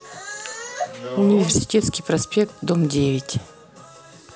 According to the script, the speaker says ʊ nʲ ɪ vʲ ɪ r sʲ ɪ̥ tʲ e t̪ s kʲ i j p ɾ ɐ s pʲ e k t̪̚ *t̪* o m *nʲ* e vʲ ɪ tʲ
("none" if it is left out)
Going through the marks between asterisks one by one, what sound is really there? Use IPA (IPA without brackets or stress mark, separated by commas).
d̪, dʲ